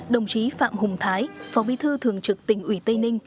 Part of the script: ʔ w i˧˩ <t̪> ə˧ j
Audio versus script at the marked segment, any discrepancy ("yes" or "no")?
no